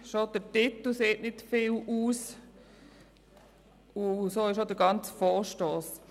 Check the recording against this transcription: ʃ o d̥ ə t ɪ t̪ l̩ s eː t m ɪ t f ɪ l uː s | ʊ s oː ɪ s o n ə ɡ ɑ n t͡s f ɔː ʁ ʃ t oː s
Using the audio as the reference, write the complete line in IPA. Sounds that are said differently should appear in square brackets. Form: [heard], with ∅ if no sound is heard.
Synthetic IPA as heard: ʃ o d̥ ə t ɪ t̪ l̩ s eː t [n] ɪ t f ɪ l uː s | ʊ s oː ɪ [ʃ] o [d] ə ɡ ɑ n t͡s f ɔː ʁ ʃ t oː s